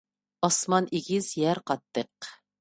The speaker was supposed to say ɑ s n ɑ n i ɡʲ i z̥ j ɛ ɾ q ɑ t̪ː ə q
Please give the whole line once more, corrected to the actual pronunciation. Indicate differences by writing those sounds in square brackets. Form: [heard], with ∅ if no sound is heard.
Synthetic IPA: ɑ s [m] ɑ n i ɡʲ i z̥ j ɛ ɾ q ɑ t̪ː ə q